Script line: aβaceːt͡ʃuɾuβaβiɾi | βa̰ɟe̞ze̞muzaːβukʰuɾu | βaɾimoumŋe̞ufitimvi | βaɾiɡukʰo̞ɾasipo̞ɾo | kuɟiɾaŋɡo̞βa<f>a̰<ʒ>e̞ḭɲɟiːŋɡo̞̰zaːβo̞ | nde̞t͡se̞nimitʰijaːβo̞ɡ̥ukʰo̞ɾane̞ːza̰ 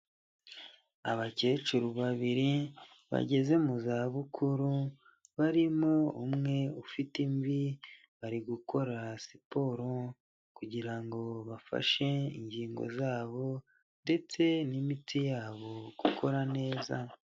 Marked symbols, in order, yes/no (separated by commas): yes, no